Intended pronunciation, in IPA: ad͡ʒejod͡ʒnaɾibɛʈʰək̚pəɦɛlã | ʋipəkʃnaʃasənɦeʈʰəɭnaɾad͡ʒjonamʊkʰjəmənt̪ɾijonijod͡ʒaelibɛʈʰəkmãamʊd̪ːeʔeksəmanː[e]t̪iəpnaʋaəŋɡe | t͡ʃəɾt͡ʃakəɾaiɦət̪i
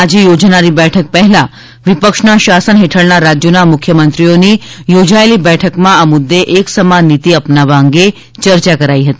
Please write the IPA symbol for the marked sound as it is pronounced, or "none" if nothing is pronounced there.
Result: i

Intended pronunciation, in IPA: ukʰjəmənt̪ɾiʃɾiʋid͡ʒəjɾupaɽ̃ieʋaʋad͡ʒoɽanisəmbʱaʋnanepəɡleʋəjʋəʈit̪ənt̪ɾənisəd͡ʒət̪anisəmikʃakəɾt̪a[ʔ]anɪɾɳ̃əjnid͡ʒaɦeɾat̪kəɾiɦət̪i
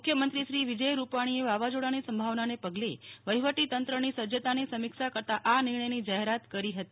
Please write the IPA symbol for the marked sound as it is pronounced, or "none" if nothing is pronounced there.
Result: ʔ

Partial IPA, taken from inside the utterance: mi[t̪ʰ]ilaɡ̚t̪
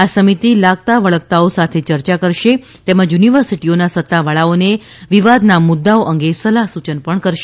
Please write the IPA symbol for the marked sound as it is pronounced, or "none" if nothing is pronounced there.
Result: t̪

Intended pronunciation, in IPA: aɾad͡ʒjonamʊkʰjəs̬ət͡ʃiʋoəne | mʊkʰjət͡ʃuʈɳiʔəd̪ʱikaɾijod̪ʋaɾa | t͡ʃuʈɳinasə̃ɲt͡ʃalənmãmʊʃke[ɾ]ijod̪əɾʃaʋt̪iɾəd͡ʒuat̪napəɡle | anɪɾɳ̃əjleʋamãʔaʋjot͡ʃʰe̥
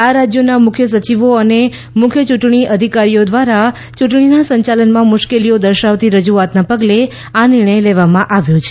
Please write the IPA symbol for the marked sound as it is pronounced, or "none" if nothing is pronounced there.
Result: l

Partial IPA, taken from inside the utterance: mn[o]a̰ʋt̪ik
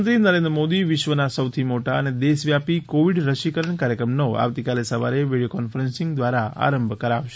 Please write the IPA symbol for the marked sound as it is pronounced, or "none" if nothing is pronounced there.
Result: o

